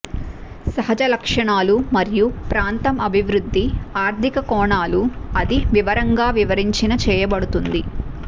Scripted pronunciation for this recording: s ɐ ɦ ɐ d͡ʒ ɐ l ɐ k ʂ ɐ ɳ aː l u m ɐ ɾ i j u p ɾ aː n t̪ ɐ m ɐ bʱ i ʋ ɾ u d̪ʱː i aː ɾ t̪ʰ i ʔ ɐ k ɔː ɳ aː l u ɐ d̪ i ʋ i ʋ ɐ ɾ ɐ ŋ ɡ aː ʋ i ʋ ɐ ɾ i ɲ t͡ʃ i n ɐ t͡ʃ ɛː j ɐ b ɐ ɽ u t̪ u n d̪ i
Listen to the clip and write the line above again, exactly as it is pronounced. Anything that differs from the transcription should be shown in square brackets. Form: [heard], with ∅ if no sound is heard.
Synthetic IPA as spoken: s ɐ ɦ ɐ d͡ʒ ɐ l ɐ k ʂ ɐ ɳ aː l u m ɐ ɾ i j u p ɾ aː n t̪ ɐ m ɐ bʱ i ʋ ɾ u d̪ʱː i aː ɾ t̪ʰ i [k] ɐ k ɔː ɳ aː l u ɐ d̪ i ʋ i ʋ ɐ ɾ ɐ ŋ ɡ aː ʋ i ʋ ɐ ɾ i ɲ t͡ʃ i n ɐ t͡ʃ ɛː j ɐ b ɐ ɽ u t̪ u n d̪ i

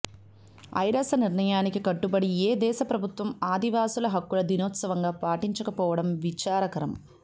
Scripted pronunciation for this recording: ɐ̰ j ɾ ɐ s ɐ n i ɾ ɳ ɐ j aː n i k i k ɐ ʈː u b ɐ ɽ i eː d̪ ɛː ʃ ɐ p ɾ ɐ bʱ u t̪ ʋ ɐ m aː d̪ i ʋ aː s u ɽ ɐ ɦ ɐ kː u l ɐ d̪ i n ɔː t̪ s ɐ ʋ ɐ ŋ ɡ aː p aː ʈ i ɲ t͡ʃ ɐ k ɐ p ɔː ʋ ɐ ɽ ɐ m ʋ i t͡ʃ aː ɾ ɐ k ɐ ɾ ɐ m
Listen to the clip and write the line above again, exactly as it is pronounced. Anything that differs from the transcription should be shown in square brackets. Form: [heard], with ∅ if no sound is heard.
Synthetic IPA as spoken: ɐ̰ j ɾ ɐ s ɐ n i ɾ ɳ ɐ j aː n i k i k ɐ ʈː u b ɐ ɽ i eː d̪ ɛː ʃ ɐ p ɾ ɐ bʱ u t̪ ʋ ɐ m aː d̪ i ʋ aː s u [l] ɐ ɦ ɐ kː u l ɐ d̪ i n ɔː t̪ s ɐ ʋ ɐ ŋ ɡ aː p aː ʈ i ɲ t͡ʃ ɐ k ɐ p ɔː ʋ ɐ ɽ ɐ m ʋ i t͡ʃ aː ɾ ɐ k ɐ ɾ ɐ m

